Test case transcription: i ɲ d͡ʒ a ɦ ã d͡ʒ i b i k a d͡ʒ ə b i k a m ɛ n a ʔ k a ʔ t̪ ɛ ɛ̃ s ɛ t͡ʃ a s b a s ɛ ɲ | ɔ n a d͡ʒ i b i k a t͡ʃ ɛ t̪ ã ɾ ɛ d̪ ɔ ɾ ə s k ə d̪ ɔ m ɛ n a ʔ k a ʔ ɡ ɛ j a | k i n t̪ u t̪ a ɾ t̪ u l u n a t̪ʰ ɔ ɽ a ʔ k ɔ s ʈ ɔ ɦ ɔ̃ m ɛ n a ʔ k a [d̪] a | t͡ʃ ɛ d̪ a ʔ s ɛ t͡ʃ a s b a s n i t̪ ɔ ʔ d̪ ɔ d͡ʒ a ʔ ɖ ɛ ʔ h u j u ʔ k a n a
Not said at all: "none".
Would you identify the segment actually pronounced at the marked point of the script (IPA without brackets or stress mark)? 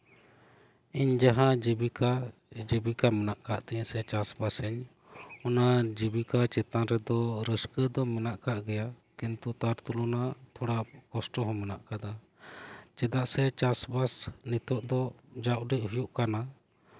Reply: d̪